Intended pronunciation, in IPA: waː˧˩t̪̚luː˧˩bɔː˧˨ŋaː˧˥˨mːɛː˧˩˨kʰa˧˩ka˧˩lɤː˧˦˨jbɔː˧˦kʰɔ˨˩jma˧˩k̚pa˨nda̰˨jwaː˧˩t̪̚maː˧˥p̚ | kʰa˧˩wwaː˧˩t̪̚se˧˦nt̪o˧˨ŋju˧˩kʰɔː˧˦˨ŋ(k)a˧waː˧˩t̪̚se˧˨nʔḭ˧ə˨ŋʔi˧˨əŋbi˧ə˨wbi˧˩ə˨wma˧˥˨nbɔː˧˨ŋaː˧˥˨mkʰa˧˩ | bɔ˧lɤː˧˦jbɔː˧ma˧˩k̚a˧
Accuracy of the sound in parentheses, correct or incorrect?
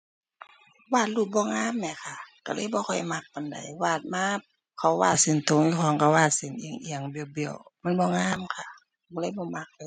correct